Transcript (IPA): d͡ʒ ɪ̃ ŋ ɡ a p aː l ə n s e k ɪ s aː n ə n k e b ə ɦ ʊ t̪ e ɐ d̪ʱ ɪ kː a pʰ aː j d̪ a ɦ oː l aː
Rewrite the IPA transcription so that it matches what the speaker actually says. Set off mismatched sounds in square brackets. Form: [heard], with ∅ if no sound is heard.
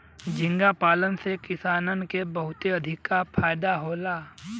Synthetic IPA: d͡ʒ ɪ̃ ŋ ɡ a p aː l ə n s e k ɪ s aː n ə n k e b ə ɦ ʊ t̪ e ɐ d̪ʱ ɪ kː a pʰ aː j d̪ a ɦ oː l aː